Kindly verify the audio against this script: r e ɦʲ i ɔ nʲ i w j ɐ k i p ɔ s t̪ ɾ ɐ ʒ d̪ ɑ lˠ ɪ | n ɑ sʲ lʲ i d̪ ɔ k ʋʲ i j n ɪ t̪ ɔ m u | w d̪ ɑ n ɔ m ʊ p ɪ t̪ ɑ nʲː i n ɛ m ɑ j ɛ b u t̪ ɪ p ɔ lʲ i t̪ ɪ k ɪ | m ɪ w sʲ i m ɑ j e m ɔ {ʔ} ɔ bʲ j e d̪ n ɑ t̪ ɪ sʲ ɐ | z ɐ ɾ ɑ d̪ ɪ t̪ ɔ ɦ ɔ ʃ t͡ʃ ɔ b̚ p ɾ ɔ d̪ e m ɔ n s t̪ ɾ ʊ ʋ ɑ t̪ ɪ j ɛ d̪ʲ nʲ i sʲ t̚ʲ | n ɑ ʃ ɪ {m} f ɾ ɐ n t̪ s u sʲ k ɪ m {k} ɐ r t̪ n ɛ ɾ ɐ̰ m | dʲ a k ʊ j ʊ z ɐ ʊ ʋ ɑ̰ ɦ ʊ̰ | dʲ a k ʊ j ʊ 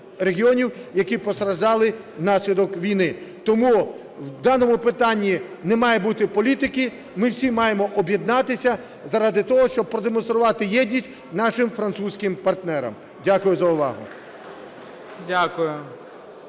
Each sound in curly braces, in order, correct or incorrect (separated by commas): correct, correct, incorrect